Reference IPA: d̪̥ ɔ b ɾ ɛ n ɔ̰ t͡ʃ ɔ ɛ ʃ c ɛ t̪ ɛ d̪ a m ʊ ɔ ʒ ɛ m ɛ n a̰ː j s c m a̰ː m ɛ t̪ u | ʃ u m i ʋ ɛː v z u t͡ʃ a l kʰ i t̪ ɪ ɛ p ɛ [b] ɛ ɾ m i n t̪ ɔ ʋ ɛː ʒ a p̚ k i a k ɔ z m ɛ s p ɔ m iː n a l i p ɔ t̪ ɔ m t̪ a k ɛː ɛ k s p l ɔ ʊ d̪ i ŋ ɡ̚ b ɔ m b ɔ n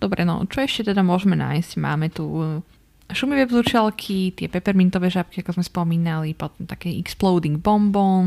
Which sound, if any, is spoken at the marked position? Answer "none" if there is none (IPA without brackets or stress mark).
p